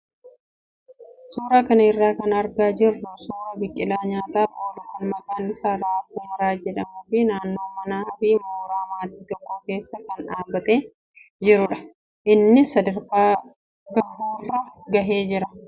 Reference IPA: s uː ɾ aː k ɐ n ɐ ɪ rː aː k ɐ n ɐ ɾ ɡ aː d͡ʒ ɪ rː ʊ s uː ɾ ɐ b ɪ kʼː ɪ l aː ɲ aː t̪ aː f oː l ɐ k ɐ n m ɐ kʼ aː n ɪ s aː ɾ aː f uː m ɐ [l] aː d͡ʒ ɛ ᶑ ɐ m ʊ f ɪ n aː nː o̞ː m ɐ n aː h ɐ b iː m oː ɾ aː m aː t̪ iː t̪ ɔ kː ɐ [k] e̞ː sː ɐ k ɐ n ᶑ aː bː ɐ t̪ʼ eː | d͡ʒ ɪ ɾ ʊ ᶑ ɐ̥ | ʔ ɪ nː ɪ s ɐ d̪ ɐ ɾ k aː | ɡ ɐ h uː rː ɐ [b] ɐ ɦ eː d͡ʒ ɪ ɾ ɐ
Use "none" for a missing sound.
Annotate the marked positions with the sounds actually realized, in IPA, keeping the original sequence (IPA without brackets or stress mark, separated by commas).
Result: ɾ, k, ɡ